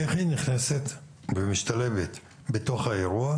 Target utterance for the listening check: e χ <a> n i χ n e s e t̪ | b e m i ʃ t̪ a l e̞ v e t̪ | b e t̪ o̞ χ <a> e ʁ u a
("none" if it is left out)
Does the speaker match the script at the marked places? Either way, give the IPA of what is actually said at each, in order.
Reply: i, a

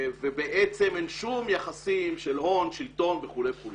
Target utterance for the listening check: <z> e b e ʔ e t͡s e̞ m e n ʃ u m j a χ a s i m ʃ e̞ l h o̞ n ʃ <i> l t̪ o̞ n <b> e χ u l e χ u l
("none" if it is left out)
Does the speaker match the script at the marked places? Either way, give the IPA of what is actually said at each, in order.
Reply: v, i, v

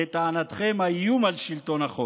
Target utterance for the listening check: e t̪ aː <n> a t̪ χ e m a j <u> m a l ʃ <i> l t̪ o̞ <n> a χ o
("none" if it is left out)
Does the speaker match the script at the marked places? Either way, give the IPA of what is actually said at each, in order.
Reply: n, u, i, n

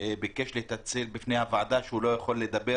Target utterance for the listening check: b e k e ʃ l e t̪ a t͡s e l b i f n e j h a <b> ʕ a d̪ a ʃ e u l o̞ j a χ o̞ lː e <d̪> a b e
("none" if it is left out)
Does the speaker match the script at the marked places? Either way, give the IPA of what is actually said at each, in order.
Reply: v, d̪

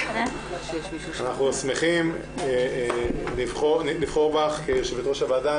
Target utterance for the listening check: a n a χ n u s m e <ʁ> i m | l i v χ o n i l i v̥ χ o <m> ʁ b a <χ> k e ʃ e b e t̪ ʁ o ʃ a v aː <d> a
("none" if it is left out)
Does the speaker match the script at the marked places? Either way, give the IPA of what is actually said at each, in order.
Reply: χ, none, χ, d

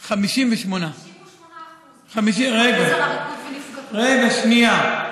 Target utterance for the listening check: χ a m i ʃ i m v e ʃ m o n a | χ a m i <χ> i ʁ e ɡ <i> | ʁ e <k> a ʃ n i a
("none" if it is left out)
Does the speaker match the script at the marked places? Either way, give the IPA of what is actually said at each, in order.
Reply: ʃ, a, ɡ

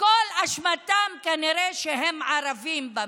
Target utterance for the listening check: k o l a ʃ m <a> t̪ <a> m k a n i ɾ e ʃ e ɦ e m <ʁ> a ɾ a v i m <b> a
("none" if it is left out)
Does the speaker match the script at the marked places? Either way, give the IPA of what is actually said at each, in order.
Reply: a, a, ʕ, b

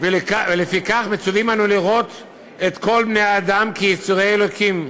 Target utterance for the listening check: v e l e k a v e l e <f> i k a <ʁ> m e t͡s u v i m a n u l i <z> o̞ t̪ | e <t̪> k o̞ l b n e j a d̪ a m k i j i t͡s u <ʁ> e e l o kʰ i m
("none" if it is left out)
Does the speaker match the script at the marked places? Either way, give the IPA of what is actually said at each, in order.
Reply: f, χ, ʁ, t̪, ʁ

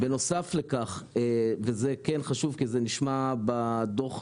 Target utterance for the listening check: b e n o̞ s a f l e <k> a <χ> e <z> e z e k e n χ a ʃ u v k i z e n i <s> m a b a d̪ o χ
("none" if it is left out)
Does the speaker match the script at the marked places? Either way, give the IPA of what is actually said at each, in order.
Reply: k, χ, v, ʃ

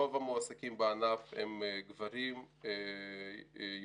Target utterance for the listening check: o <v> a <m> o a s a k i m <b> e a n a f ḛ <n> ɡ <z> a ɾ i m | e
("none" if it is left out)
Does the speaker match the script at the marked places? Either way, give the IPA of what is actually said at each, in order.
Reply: v, m, b, m, v

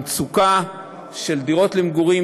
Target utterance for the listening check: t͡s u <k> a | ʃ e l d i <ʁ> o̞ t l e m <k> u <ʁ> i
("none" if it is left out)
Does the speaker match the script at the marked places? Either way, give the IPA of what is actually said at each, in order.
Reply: k, ʁ, ɡ, ʁ

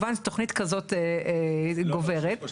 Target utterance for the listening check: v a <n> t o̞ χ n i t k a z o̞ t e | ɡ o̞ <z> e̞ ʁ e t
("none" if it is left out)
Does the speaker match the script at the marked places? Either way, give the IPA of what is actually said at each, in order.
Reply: n, v

